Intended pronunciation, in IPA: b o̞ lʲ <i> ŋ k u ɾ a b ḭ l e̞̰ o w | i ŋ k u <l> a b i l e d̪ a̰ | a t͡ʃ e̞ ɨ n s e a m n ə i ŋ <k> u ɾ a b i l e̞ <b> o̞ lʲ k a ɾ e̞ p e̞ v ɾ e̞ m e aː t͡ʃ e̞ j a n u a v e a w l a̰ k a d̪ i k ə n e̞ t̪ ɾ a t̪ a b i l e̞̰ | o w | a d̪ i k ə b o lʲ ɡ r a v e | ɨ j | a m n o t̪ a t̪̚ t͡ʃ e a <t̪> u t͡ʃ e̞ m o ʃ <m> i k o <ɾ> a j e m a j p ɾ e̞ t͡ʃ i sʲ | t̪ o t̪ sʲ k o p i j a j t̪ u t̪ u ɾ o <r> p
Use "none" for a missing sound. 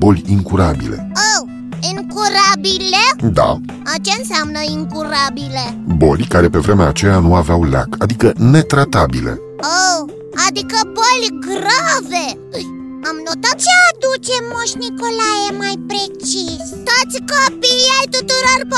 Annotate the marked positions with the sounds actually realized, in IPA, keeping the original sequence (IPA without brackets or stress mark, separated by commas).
i, ɾ, k, b, d̪, n, l, r